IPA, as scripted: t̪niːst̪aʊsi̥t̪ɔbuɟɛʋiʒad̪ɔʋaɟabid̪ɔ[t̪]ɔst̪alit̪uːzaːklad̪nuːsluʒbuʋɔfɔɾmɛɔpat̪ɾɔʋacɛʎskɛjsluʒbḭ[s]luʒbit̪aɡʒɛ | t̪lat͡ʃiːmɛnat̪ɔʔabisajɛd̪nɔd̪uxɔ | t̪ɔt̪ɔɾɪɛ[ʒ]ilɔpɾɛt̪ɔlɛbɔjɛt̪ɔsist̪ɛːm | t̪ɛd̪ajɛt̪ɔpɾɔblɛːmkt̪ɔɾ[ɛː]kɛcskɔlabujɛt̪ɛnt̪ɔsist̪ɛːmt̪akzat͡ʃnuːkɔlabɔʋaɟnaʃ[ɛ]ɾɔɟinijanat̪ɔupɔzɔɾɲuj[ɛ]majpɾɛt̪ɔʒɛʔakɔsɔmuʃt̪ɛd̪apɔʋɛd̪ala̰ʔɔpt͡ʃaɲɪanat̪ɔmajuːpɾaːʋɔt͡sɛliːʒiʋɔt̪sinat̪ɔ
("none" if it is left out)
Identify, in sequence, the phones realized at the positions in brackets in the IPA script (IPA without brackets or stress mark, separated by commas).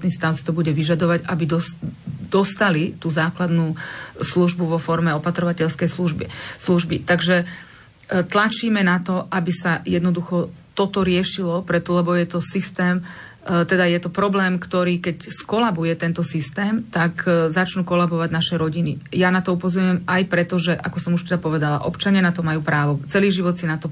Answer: d̪, s, ʃ, iː, ɛ, ɛ